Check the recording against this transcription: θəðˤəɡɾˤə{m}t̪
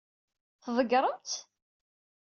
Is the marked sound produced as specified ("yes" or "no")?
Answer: yes